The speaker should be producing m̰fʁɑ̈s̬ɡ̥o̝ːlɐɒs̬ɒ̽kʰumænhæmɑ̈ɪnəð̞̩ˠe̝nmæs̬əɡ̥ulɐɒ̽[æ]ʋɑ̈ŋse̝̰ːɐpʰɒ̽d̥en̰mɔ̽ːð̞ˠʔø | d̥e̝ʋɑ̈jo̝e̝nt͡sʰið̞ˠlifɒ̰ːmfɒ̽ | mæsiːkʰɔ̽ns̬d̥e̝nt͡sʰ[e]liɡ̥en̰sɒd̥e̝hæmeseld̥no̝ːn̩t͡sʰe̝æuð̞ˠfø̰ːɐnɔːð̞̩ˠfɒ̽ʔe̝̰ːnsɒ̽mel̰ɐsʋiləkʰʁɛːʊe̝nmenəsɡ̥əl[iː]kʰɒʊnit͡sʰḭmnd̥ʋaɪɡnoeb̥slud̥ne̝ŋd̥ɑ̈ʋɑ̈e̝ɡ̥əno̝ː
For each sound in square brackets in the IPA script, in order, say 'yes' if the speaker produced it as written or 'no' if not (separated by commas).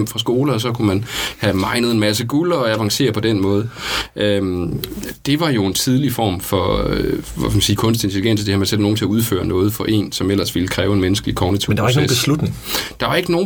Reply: yes, yes, no